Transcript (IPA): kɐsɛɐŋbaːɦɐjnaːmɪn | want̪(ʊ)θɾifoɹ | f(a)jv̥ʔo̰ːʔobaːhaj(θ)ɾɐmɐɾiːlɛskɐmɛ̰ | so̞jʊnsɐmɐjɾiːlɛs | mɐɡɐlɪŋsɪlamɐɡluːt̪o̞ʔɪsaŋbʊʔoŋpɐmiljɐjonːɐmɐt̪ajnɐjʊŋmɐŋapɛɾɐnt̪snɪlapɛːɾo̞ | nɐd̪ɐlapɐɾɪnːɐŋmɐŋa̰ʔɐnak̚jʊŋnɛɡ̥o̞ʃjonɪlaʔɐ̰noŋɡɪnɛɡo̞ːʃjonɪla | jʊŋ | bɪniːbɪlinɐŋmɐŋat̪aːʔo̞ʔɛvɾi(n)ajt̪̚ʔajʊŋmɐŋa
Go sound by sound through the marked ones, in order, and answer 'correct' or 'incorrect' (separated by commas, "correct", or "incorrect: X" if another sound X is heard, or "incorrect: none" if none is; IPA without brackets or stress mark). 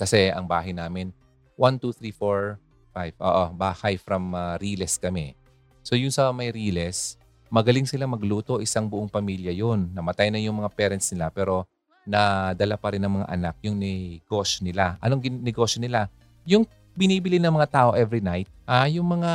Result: incorrect: u, correct, incorrect: f, correct